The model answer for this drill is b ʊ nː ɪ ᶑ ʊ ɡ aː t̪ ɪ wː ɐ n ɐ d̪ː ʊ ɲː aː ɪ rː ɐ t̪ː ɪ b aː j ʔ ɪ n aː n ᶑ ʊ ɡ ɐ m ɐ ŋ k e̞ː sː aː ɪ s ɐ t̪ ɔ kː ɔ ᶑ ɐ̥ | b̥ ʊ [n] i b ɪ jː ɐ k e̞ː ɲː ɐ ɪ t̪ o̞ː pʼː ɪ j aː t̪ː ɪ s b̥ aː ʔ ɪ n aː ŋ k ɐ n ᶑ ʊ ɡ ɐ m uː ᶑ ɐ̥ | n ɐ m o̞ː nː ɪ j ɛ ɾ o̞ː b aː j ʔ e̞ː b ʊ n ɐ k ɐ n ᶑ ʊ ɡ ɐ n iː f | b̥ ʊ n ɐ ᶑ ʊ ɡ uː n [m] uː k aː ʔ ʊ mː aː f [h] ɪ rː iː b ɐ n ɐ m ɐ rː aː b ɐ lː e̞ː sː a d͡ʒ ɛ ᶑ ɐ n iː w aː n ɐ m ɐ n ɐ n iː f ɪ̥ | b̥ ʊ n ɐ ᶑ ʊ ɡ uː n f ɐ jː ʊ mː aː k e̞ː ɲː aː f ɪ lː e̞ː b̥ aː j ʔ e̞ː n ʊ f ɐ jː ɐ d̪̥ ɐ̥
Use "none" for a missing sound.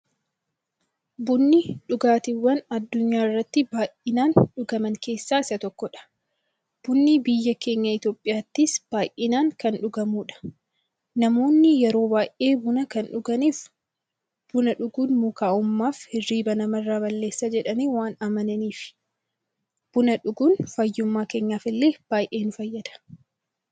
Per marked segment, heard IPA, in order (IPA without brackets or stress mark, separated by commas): nː, m, h